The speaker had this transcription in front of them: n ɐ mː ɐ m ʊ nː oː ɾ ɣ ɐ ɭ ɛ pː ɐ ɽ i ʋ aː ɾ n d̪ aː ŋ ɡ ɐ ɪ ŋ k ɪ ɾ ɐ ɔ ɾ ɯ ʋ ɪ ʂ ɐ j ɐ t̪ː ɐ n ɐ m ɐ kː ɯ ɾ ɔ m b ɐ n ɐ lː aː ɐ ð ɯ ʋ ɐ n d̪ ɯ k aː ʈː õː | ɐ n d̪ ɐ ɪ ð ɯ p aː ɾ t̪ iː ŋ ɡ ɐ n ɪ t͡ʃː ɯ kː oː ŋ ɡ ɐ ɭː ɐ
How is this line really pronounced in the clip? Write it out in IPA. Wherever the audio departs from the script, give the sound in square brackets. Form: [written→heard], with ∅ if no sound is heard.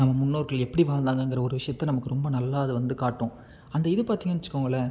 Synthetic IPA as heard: n ɐ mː ɐ m ʊ nː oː ɾ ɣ ɐ ɭ ɛ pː ɐ ɽ i ʋ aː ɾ n d̪ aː ŋ ɡ ɐ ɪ ŋ [k→ɡ] ɪ ɾ ɐ ɔ ɾ ɯ ʋ ɪ ʂ ɐ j ɐ t̪ː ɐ n ɐ m ɐ kː ɯ ɾ ɔ m b ɐ n ɐ lː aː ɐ ð ɯ ʋ ɐ n d̪ ɯ k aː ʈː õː | ɐ n d̪ ɐ ɪ ð ɯ p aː ɾ t̪ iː ŋ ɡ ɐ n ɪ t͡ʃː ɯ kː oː ŋ ɡ ɐ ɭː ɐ

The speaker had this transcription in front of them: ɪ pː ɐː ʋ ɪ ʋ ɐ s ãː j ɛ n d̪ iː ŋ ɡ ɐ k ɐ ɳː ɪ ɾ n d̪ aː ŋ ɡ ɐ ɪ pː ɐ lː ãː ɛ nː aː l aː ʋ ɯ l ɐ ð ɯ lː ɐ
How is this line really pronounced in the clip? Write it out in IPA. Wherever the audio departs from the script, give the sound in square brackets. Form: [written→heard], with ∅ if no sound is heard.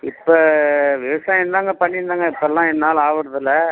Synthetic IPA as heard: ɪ pː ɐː ʋ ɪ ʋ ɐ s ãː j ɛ n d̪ [iː→aː] ŋ ɡ ɐ [k→p] ɐ ɳː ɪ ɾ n d̪ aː ŋ ɡ ɐ ɪ pː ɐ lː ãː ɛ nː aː l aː ʋ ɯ [l→ɽ] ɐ ð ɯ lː ɐ

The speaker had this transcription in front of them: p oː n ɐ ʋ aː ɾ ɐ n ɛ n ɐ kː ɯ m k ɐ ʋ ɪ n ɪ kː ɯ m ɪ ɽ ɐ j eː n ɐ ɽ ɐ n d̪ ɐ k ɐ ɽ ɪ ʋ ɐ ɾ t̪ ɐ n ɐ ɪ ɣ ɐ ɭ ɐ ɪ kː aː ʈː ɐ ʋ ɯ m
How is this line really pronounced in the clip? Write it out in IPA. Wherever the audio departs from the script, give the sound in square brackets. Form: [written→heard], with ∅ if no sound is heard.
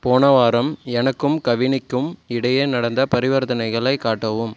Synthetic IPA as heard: p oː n ɐ ʋ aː ɾ ɐ [n→m] ɛ n ɐ kː ɯ m k ɐ ʋ ɪ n ɪ kː ɯ m ɪ ɽ ɐ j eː n ɐ ɽ ɐ n d̪ ɐ [k→p] ɐ [ɽ→ɾ] ɪ ʋ ɐ ɾ t̪ ɐ n ɐ ɪ ɣ ɐ ɭ ɐ ɪ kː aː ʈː ɐ ʋ ɯ m

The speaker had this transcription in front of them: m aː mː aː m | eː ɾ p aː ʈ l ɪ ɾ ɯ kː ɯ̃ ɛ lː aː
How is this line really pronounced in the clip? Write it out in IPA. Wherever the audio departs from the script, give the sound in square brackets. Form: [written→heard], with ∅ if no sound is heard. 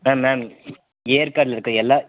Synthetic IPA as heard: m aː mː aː m | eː ɾ [p→k] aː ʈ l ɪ ɾ ɯ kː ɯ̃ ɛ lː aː

